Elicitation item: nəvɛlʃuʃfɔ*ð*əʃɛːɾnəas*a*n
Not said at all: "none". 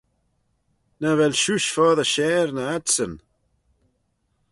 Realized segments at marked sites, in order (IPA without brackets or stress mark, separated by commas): ð, ə